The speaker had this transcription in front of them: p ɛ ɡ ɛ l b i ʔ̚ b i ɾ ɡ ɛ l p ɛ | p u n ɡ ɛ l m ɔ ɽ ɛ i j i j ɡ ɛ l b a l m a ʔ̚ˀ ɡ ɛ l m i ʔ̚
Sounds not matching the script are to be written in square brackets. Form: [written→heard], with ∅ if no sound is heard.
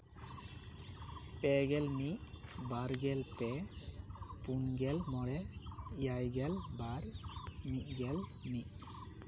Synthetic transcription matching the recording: p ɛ ɡ ɛ l [b→m] i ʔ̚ b [i→a] ɾ ɡ ɛ l p ɛ | p u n ɡ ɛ l m ɔ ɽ ɛ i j [i→a] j ɡ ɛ l b a [l→ɾ] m [a→i] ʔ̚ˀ ɡ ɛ l m i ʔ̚